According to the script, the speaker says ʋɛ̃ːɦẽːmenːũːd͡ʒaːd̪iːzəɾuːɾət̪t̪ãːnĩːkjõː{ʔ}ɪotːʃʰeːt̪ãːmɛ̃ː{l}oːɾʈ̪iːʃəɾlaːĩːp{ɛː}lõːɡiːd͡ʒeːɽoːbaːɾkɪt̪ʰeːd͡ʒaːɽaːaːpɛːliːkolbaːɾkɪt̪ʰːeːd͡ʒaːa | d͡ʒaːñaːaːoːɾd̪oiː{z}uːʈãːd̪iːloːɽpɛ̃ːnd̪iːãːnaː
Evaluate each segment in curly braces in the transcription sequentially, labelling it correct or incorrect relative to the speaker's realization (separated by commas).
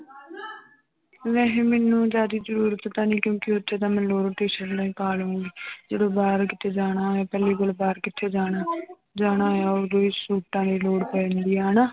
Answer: incorrect, correct, incorrect, incorrect